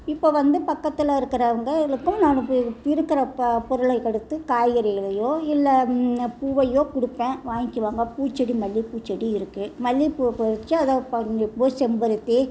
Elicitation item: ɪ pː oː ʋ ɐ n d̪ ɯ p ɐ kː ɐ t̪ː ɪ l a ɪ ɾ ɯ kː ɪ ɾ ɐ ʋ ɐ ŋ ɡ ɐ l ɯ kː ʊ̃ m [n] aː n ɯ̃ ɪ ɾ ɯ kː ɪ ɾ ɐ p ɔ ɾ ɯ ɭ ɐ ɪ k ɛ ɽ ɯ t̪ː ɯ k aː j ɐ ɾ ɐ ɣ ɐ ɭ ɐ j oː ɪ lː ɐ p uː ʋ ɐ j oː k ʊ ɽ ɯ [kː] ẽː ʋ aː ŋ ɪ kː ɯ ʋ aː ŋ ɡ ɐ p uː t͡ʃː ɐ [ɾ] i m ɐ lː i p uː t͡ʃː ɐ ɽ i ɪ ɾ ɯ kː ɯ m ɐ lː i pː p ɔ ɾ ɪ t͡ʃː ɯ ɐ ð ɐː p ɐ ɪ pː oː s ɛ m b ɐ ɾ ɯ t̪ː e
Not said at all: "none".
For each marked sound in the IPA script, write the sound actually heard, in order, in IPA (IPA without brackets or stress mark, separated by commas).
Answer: n, pː, ɽ